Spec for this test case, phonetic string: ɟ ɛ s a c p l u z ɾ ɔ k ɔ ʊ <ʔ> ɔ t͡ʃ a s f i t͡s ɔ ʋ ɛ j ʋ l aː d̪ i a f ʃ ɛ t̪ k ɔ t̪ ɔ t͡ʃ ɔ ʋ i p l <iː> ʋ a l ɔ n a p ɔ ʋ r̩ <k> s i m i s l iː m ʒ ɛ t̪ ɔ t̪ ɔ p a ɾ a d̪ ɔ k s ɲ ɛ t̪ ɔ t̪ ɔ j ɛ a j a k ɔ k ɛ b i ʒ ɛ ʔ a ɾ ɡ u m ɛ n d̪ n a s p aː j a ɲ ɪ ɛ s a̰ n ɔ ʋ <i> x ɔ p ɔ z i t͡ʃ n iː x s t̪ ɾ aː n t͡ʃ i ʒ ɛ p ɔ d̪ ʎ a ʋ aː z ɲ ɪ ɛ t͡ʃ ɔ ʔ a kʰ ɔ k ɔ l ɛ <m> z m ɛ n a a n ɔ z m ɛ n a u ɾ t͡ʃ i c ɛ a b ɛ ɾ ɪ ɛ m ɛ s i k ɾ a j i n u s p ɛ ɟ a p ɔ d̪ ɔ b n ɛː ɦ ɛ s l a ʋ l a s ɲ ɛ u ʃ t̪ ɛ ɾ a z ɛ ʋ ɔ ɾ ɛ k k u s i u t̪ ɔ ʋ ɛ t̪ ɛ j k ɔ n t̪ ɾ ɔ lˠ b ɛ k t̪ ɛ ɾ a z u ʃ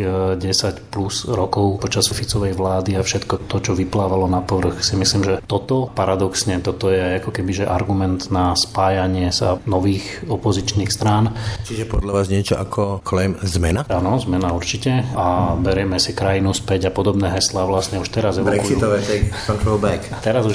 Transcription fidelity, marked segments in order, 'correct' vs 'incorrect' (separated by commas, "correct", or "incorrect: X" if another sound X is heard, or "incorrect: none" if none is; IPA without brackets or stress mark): incorrect: p, incorrect: aː, incorrect: x, incorrect: iː, correct